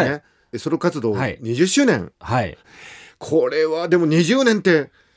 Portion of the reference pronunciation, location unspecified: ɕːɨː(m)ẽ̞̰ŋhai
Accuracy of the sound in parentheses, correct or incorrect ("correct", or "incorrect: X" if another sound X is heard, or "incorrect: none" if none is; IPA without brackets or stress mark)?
incorrect: n